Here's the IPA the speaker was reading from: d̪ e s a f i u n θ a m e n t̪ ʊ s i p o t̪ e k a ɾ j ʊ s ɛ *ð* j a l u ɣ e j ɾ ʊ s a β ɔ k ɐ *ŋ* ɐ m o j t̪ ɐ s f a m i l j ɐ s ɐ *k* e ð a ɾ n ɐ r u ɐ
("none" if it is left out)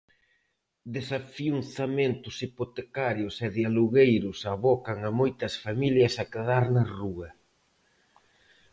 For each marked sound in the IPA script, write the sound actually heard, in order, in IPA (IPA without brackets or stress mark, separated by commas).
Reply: ð, ŋ, k